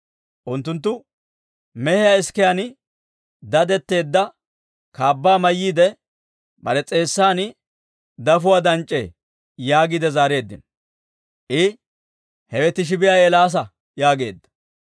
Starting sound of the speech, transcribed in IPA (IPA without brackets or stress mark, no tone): ʔ